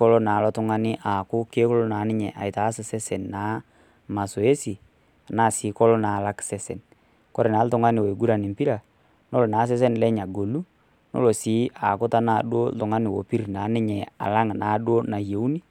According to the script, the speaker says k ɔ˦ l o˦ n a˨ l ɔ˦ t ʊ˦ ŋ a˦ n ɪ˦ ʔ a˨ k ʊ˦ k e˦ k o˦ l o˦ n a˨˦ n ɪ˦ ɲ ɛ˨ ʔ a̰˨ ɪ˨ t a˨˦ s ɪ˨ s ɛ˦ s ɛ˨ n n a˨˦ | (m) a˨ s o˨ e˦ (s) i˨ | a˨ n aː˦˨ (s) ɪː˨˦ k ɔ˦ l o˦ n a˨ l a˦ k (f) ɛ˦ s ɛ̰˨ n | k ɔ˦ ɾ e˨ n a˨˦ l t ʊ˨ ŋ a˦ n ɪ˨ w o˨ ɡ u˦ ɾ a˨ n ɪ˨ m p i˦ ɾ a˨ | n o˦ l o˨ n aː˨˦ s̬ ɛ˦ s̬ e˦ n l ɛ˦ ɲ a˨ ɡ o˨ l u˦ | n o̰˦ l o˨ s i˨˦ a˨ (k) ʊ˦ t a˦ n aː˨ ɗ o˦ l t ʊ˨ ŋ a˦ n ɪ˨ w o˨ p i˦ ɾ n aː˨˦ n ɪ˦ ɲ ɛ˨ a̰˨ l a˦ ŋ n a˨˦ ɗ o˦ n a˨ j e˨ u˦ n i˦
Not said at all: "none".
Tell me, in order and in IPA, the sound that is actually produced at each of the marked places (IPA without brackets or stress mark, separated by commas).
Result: m, s, s, s, k